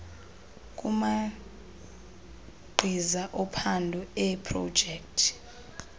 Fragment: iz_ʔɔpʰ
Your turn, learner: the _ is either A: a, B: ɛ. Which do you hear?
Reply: A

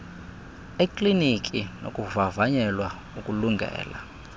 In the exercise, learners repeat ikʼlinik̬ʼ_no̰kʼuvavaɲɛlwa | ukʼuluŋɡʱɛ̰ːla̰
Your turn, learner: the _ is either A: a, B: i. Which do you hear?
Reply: B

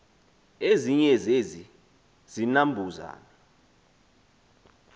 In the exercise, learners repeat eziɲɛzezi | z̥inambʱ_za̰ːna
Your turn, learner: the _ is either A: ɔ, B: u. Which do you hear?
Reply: B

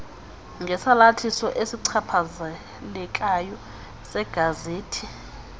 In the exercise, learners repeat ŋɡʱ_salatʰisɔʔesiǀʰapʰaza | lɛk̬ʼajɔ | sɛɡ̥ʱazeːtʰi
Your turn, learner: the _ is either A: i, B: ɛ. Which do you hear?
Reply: B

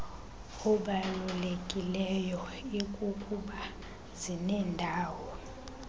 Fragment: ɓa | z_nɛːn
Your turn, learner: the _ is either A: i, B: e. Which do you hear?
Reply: A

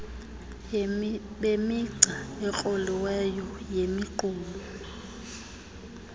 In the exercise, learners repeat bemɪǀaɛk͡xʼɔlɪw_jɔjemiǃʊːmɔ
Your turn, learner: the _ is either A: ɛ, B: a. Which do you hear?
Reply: A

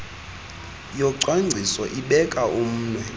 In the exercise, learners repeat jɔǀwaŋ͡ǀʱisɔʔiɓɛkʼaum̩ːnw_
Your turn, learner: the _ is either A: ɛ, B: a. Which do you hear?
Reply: A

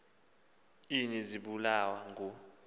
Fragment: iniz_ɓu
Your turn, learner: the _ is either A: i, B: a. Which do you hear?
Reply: A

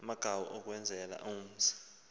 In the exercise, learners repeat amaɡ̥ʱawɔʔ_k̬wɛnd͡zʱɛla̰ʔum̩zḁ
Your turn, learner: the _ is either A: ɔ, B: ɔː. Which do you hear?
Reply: A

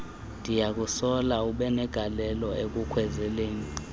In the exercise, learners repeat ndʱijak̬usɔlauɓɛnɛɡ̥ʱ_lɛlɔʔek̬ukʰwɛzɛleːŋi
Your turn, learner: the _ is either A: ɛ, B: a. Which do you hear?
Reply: B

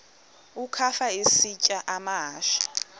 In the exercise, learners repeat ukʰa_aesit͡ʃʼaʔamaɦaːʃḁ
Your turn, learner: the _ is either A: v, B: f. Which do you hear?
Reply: B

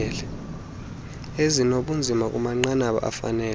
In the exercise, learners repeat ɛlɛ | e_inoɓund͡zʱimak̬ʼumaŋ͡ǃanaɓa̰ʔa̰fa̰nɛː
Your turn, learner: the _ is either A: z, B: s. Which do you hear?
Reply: A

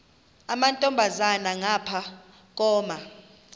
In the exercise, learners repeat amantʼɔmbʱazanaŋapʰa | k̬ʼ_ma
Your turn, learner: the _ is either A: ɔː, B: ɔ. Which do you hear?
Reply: A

